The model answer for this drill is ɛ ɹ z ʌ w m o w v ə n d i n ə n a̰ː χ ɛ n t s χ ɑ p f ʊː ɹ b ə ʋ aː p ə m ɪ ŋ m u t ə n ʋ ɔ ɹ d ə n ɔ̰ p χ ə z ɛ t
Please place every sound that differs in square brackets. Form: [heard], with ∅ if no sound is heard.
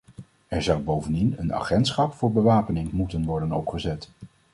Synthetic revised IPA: ɛ ɹ z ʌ w [b] o w v ə n d i n ə n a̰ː χ ɛ n t s χ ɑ p f ʊː ɹ b ə ʋ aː p ə [n] ɪ ŋ m u t ə n ʋ ɔ ɹ d ə n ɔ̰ p χ ə z ɛ t